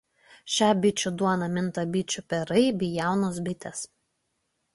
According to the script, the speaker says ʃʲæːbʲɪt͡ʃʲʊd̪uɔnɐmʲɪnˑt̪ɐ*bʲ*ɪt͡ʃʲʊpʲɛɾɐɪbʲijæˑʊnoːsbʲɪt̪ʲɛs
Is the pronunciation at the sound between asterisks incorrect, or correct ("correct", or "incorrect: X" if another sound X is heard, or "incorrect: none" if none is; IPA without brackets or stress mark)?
correct